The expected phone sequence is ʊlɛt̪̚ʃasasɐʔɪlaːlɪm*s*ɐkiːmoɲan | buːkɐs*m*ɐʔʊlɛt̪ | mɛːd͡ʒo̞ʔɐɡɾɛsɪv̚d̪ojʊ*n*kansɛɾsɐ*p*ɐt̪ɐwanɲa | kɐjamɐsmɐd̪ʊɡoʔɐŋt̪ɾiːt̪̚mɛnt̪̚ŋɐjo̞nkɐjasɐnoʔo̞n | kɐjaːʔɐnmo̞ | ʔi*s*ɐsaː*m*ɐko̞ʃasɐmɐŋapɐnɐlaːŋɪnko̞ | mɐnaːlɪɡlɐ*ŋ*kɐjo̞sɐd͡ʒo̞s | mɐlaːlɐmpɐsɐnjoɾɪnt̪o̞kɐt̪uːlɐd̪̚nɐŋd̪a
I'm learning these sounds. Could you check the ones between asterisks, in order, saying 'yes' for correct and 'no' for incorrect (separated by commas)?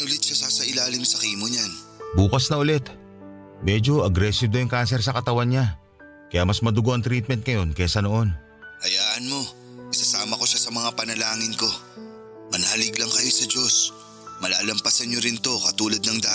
yes, no, no, no, yes, yes, yes